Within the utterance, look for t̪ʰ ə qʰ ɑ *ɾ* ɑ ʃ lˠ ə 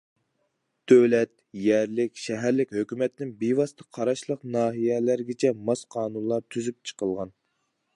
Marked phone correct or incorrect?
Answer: correct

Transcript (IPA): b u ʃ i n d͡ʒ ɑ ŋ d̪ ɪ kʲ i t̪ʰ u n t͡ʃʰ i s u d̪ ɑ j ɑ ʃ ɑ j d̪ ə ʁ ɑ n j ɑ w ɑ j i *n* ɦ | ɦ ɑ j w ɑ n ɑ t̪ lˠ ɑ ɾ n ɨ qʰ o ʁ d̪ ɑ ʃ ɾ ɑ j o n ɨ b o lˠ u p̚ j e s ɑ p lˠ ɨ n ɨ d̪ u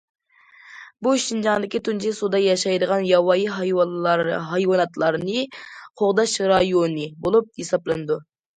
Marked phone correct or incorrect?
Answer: incorrect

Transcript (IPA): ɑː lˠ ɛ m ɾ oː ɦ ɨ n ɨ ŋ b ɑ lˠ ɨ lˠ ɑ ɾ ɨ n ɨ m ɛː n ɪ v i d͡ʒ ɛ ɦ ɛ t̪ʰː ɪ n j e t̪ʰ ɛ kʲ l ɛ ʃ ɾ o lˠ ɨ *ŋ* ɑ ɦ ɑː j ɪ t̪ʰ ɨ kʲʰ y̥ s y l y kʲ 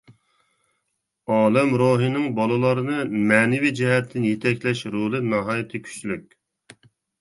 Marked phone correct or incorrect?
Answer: incorrect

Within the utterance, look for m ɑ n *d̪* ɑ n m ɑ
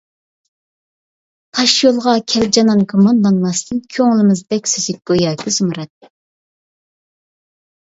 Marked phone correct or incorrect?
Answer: correct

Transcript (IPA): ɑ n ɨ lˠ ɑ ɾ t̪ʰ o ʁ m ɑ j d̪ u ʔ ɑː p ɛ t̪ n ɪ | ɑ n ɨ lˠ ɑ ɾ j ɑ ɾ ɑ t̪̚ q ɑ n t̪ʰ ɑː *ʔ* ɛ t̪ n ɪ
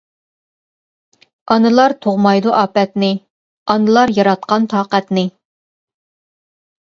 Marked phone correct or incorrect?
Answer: incorrect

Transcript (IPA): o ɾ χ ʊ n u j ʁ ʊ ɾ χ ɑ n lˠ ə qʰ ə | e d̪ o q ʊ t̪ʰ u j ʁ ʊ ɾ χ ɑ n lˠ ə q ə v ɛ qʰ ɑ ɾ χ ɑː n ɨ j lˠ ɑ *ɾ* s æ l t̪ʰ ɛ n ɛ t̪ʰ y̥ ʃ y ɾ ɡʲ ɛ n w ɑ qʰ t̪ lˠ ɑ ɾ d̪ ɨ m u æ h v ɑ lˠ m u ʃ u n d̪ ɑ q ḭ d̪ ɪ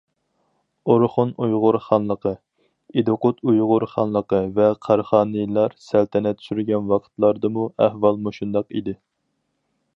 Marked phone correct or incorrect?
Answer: correct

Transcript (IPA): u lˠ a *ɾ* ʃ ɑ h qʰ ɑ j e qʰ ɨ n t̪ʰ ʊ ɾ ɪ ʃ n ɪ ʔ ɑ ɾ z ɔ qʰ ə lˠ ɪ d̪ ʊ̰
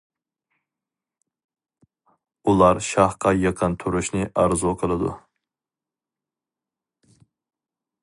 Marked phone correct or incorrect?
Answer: correct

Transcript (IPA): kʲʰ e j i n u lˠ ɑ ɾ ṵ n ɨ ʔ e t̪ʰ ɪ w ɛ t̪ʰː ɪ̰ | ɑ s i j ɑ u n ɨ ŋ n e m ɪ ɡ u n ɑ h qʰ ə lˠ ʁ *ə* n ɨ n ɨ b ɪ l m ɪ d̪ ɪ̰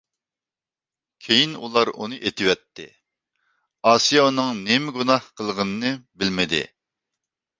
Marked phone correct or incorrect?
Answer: correct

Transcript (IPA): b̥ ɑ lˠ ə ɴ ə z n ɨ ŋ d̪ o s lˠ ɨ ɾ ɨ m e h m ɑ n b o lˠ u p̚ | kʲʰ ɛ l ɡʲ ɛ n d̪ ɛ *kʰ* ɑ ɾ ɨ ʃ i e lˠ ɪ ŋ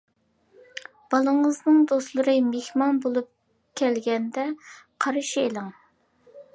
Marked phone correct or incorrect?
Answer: incorrect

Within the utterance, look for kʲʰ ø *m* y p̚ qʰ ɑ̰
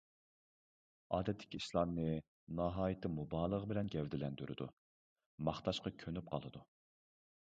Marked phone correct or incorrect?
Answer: incorrect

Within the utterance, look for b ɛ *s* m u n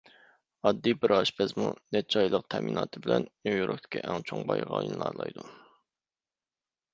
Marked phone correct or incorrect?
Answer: incorrect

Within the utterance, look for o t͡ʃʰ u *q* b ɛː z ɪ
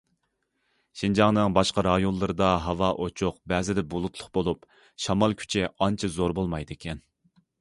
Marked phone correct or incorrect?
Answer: correct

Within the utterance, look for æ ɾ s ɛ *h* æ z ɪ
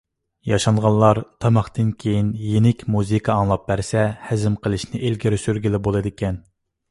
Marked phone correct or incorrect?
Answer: correct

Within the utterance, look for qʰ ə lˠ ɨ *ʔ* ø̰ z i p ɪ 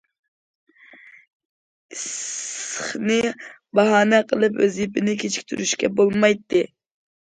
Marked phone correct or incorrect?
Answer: incorrect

